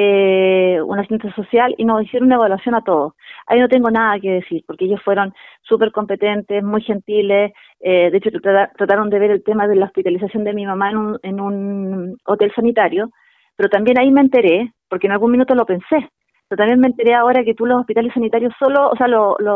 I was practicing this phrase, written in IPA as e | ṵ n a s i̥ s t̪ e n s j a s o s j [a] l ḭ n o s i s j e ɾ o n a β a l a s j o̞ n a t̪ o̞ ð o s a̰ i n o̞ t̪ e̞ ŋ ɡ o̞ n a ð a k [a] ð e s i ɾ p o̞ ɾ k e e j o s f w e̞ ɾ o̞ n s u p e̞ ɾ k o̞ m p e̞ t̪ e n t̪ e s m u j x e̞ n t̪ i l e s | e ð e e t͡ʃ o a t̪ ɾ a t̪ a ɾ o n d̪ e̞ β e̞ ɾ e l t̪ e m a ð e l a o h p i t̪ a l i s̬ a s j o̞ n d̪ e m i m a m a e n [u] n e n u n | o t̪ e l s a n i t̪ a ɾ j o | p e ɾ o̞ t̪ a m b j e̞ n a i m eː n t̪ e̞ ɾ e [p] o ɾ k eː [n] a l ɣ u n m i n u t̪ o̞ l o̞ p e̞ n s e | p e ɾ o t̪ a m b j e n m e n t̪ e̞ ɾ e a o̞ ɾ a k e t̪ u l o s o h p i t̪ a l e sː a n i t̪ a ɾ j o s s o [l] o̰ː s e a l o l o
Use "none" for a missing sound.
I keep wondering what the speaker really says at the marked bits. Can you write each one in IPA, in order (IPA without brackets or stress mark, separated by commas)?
a, e, u, p, n, l